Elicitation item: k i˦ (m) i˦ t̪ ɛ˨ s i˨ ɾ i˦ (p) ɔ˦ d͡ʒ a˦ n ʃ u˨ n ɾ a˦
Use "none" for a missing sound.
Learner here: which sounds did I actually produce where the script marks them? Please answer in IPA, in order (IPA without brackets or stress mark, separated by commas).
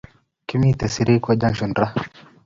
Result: m, k